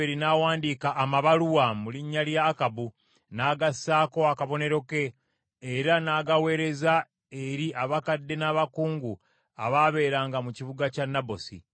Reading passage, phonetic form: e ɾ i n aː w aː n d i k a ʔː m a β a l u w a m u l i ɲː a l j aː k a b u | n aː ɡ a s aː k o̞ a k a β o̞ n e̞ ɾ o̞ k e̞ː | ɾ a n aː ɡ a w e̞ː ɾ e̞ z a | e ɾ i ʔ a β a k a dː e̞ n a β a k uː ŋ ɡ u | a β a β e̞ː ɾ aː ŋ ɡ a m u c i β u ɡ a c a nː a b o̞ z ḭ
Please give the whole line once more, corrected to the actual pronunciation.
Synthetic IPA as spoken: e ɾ i n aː w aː n d i k a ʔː m a β a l u w a m u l i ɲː a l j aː k a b u | n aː ɡ a s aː k o̞ a k a β o̞ n e̞ ɾ o̞ k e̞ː | ɾ a n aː ɡ a w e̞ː ɾ e̞ z a | e ɾ i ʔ a β a k a dː e̞ n a β a k uː ŋ ɡ u | a β a β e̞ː ɾ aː ŋ ɡ a m u c i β u ɡ a c a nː a b o̞ s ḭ